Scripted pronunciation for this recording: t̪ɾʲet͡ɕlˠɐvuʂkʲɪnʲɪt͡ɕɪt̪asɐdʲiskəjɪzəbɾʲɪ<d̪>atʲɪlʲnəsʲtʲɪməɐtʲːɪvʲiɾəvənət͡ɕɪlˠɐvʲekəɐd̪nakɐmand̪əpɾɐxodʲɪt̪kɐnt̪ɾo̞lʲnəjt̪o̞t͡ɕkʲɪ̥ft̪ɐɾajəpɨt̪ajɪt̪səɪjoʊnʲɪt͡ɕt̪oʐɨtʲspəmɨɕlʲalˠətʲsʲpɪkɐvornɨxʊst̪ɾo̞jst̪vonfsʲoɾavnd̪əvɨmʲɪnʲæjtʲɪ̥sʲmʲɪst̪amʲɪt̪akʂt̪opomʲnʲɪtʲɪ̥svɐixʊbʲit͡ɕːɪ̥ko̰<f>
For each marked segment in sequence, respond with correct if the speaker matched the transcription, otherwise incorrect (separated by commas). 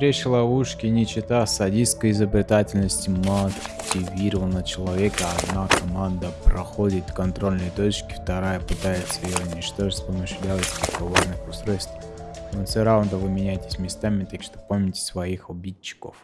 incorrect, correct